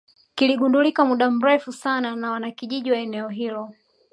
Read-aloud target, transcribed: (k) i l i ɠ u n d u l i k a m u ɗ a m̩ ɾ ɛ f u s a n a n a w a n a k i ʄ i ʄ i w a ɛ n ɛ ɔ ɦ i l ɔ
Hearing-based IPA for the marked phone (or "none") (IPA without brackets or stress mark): k